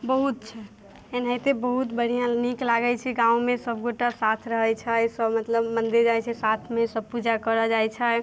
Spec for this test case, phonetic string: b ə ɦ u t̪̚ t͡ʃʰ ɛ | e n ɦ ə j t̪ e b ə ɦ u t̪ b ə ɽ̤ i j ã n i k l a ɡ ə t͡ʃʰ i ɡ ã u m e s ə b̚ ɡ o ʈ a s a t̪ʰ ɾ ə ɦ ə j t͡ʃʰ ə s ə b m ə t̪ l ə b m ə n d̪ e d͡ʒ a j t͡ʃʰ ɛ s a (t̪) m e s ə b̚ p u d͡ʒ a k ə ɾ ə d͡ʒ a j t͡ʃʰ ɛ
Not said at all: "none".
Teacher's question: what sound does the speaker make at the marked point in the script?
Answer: t̪ʰ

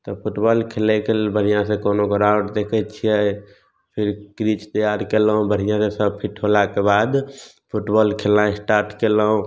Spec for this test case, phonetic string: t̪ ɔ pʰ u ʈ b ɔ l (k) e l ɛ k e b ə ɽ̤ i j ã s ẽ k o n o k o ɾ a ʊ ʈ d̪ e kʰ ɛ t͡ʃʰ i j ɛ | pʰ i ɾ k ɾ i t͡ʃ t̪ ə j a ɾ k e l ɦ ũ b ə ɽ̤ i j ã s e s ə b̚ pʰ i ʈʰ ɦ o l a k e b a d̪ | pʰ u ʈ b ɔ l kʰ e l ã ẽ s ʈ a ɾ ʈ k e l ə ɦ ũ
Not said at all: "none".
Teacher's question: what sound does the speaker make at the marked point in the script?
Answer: kʰ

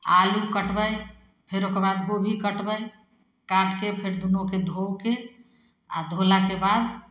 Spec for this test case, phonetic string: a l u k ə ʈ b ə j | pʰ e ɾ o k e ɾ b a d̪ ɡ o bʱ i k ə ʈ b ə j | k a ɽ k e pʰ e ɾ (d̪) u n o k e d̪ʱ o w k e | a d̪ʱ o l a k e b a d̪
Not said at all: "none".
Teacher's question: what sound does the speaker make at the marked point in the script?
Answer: d̪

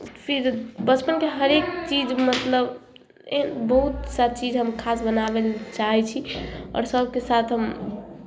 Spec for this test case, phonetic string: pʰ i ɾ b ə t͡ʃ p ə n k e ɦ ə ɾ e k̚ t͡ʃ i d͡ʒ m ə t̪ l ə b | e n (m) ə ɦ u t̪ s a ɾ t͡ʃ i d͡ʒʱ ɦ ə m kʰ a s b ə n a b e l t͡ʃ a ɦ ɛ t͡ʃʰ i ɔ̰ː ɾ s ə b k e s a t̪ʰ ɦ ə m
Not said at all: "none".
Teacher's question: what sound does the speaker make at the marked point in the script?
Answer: b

